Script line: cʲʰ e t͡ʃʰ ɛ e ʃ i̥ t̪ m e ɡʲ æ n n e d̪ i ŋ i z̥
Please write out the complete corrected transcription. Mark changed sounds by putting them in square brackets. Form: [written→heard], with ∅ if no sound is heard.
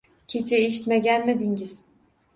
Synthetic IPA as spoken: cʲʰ e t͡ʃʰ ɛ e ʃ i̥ t̪ m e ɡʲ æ n [n→m] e d̪ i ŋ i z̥

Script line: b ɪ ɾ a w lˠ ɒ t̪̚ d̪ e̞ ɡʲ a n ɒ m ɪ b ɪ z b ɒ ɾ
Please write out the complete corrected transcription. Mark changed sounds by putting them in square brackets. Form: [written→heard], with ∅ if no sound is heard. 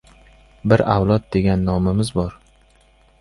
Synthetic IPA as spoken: b ɪ ɾ a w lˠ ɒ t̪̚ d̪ e̞ ɡʲ a [n→nː] ɒ m ɪ [b→m] ɪ z b ɒ ɾ

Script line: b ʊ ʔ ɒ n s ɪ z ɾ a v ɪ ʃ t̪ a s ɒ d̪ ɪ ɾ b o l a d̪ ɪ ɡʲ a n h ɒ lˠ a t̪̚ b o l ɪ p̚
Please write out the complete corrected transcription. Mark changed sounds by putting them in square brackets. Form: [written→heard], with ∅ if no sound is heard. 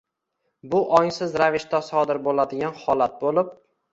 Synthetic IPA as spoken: b ʊ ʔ ɒ [n→ŋ] s ɪ z ɾ a v ɪ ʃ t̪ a s ɒ d̪ ɪ ɾ b o l a d̪ ɪ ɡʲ a n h ɒ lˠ a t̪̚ b o l ɪ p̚

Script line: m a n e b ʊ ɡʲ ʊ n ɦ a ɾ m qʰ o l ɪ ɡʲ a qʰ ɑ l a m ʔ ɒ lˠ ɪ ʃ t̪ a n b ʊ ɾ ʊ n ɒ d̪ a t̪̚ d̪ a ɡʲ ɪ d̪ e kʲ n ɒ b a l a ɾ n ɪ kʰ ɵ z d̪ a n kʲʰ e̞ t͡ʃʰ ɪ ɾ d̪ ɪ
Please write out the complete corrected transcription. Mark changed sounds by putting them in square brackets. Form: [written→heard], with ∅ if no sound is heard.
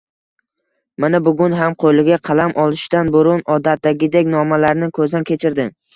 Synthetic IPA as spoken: m a n [e→a] b ʊ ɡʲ ʊ n ɦ a [ɾ→∅] m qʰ o l ɪ ɡʲ a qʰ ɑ l a m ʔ ɒ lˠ ɪ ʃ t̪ a n b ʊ ɾ ʊ n ɒ d̪ a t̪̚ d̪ a ɡʲ ɪ d̪ e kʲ n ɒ [b→m] a l a ɾ n ɪ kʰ ɵ z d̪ a n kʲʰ e̞ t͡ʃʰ ɪ ɾ d̪ ɪ

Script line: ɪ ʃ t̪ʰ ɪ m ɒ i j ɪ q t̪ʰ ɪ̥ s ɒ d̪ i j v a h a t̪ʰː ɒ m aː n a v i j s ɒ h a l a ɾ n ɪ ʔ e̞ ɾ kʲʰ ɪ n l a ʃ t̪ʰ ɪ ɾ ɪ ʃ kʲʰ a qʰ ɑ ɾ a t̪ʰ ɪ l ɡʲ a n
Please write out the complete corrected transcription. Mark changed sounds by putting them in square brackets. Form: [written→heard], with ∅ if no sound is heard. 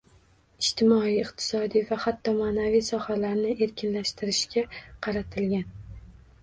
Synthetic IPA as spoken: ɪ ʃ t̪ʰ ɪ m ɒ i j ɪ q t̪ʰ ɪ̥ s ɒ d̪ i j v a h a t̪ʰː ɒ m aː n a v i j s ɒ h a l a ɾ n ɪ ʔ e̞ ɾ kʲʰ ɪ n l a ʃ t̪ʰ ɪ ɾ ɪ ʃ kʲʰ a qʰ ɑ ɾ a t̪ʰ ɪ l ɡʲ a n

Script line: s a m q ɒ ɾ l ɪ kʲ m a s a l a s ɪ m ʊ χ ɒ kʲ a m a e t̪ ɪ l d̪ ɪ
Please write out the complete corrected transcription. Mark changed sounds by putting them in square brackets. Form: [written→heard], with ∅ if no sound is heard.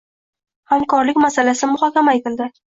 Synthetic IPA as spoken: [s→h] a m [q→k] ɒ ɾ l ɪ kʲ m a s a l a s ɪ m ʊ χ ɒ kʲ a m a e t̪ ɪ l d̪ ɪ

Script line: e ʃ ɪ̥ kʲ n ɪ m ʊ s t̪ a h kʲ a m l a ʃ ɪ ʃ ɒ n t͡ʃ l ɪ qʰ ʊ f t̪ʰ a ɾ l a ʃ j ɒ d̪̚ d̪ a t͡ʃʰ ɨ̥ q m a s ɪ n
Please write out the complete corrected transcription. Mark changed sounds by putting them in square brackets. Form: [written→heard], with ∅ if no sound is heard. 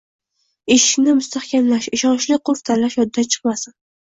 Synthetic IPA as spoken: e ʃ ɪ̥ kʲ n ɪ m ʊ s t̪ a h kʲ a m l a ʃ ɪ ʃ ɒ n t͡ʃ l ɪ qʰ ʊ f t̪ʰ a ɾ l a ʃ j ɒ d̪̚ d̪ a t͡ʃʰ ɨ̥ q m a s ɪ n

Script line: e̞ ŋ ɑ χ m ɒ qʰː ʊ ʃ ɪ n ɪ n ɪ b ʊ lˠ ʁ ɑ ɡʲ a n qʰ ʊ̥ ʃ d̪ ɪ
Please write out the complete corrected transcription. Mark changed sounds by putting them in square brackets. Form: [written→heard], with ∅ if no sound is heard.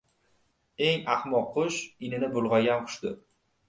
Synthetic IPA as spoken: e̞ ŋ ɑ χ m ɒ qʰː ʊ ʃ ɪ n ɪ n ɪ b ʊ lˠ ʁ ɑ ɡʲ a n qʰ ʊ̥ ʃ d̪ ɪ

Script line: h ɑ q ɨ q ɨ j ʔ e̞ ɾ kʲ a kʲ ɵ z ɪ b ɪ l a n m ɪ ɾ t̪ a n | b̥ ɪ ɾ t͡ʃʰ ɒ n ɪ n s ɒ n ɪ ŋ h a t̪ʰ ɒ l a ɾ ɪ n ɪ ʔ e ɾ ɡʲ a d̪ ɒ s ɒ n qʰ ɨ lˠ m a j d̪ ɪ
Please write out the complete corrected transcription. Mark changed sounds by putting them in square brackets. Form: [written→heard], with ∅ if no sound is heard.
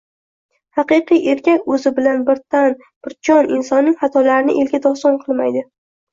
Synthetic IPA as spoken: h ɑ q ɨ q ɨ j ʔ e̞ ɾ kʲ a kʲ ɵ z ɪ b ɪ l a n [m→b] ɪ ɾ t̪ a n | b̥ ɪ ɾ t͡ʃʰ ɒ n ɪ n s ɒ [n→nː] ɪ ŋ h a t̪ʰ ɒ l a ɾ ɪ n ɪ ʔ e [ɾ→l] ɡʲ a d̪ ɒ s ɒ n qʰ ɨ lˠ m a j d̪ ɪ

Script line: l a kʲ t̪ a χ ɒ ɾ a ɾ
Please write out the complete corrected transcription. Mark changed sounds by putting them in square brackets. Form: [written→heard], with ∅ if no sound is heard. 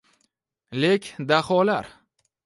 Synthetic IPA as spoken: l [a→e] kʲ [t̪→d̪] a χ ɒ [ɾ→l] a ɾ

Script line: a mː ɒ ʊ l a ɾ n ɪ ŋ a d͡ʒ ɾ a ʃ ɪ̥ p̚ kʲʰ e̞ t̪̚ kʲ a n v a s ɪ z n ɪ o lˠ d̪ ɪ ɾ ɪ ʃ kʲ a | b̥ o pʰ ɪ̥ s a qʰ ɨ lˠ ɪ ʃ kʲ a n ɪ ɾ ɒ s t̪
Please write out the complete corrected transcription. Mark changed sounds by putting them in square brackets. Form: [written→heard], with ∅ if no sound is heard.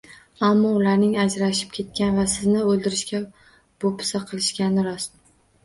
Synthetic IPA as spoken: a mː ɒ ʊ l a ɾ n ɪ ŋ a d͡ʒ ɾ a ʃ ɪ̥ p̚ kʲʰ e̞ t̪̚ kʲ a n v a s ɪ z n ɪ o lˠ d̪ ɪ ɾ ɪ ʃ kʲ a | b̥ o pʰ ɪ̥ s a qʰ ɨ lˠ ɪ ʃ kʲ a n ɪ ɾ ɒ s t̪

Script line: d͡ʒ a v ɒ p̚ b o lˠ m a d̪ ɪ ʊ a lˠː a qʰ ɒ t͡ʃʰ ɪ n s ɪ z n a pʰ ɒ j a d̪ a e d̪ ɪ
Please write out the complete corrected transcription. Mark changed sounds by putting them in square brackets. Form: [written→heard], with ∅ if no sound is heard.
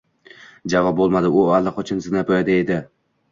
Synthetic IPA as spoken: d͡ʒ a v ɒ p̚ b o lˠ m a d̪ ɪ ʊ a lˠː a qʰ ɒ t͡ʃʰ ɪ n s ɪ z n a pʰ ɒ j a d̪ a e d̪ ɪ

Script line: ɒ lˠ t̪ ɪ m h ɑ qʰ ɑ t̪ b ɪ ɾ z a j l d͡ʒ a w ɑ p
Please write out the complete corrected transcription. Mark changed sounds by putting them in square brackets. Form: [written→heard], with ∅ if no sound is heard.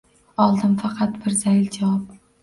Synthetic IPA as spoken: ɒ lˠ [t̪→d̪] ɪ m [h→f] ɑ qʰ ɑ t̪ b ɪ ɾ z a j l d͡ʒ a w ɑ p

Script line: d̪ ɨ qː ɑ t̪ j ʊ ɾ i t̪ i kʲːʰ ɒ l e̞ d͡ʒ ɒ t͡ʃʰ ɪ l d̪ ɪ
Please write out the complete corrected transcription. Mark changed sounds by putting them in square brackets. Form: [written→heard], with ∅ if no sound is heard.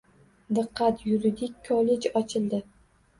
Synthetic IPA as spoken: d̪ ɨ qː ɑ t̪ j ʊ ɾ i [t̪→d̪] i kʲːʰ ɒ l e̞ d͡ʒ ɒ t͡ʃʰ ɪ l d̪ ɪ

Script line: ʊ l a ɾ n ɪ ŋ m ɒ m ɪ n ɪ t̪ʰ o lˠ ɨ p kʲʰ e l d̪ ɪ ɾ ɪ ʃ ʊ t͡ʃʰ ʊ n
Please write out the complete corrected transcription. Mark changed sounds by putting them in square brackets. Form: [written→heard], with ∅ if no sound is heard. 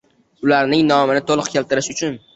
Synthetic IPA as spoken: ʊ l a ɾ n ɪ ŋ [m→n] ɒ m ɪ n ɪ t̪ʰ o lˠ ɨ [p→q] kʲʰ e l [d̪→t̪] ɪ ɾ ɪ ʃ ʊ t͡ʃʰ ʊ n

